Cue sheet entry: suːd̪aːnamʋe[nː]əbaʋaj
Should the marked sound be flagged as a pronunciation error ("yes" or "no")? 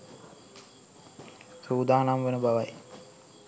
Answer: yes